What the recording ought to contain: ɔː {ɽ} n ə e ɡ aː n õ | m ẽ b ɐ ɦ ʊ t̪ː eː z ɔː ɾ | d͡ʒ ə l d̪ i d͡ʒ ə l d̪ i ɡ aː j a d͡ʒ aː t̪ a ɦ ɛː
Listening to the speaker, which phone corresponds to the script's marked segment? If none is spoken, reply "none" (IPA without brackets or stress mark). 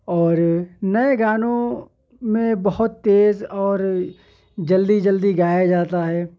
ɾ